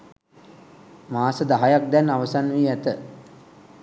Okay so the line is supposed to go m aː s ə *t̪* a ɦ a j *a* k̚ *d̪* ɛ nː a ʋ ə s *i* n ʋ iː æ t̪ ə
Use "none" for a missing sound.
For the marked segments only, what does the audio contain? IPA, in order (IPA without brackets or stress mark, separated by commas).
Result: d̪, a, d̪, a